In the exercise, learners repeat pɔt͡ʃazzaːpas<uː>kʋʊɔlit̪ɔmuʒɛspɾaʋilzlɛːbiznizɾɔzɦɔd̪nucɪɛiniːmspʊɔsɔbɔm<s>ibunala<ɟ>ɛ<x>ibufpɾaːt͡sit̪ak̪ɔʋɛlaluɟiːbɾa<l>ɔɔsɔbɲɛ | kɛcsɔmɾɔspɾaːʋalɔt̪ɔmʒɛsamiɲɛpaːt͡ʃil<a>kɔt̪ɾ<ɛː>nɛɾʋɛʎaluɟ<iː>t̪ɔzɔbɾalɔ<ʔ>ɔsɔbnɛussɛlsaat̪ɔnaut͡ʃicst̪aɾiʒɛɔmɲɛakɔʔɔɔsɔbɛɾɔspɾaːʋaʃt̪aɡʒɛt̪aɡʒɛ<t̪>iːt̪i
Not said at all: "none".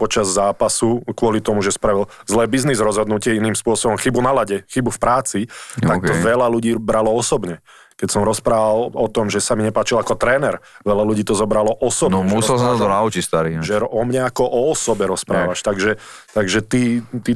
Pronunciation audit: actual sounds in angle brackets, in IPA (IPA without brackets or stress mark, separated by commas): u, x, ɟ, x, l, a, ɛː, iː, ʔ, t̪